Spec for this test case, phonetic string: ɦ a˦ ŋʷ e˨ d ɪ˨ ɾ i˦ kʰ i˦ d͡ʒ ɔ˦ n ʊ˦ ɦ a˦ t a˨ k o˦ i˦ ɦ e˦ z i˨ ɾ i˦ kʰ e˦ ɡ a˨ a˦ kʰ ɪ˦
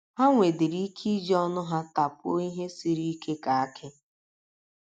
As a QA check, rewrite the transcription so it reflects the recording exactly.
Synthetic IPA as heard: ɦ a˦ ŋʷ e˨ d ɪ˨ ɾ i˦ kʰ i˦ d͡ʒ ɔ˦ n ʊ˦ ɦ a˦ t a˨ p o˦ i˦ ɦ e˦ s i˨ ɾ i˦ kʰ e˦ k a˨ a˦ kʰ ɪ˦